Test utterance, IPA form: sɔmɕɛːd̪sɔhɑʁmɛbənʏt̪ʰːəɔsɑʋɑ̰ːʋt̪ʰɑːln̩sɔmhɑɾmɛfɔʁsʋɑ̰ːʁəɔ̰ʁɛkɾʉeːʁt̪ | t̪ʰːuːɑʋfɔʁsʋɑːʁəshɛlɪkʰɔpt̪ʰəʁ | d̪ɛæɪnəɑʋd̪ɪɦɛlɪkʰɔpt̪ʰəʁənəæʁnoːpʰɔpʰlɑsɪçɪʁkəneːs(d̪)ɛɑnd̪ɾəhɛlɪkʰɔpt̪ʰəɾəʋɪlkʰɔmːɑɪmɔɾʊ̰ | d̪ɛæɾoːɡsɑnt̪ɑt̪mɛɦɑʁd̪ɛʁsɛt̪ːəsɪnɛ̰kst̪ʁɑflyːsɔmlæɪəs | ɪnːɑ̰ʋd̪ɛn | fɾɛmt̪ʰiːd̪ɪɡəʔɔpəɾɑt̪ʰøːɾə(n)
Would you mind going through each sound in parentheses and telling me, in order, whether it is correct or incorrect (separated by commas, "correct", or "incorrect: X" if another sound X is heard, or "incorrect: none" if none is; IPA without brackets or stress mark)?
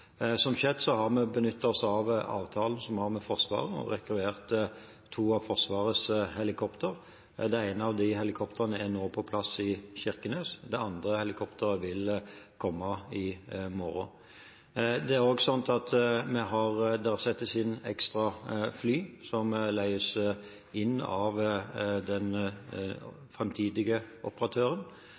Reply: correct, correct